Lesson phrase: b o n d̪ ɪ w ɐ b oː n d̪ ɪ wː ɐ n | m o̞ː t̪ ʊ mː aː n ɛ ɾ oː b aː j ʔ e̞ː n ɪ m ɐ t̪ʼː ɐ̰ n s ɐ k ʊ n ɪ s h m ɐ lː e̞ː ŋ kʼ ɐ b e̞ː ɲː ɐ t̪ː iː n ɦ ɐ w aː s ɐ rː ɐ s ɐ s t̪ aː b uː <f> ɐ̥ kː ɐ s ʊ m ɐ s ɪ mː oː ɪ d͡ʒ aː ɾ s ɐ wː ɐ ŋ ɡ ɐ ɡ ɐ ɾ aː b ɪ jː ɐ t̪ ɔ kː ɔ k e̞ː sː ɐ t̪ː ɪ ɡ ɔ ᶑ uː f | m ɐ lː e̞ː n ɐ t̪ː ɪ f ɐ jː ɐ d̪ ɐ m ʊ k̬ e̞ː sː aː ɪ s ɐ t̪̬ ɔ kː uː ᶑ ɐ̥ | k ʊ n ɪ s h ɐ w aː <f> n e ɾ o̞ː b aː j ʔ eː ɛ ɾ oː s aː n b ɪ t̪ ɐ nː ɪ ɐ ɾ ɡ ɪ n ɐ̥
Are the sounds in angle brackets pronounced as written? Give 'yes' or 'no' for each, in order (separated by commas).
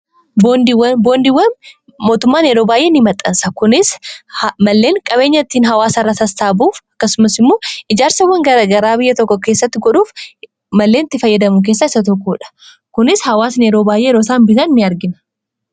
yes, no